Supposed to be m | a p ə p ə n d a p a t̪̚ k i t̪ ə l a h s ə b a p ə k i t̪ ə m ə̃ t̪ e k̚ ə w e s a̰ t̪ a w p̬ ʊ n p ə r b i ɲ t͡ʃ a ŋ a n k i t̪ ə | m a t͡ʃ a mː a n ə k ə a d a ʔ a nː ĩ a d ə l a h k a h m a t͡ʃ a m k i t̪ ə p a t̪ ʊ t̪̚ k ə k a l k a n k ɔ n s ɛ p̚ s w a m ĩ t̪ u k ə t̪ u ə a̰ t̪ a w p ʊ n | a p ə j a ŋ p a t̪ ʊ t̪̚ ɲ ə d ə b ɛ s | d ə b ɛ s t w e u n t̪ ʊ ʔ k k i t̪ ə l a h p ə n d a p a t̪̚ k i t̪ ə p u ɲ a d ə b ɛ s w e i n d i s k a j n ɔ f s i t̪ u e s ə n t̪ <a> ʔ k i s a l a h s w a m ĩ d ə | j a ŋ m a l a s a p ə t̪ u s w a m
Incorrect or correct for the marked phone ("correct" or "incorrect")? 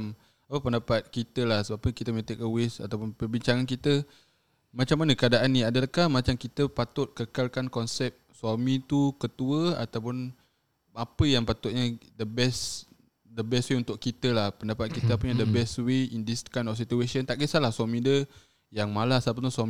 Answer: correct